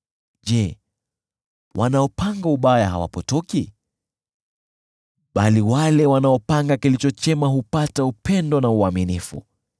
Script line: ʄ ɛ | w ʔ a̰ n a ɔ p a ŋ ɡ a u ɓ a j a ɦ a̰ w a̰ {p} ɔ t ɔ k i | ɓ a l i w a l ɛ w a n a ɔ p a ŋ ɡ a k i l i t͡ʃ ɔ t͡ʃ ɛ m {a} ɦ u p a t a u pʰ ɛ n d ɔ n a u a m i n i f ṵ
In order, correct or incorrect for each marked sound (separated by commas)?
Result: correct, correct